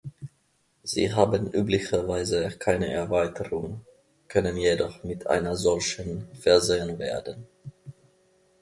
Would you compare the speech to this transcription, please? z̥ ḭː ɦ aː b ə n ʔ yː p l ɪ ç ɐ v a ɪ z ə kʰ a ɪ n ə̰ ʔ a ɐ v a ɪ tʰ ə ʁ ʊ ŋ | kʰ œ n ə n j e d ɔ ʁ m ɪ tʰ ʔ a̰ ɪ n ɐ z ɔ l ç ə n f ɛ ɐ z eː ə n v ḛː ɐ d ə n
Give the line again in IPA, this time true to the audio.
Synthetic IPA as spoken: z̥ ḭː ɦ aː b ə n ʔ yː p l ɪ ç ɐ v a ɪ z ə kʰ a ɪ n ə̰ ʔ ɛ ɐ v a ɪ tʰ ə ʁ ʊ ŋ | kʰ œ n ə n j e d ɔ χ m ɪ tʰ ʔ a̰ ɪ n ɐ z ɔ l ç ə n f ɛ ɐ z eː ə n v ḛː ɐ d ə n